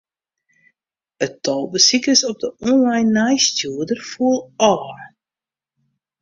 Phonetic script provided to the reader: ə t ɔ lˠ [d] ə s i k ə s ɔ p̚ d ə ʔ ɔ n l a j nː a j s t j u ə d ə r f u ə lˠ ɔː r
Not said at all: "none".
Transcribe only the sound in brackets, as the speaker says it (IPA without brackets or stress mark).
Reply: b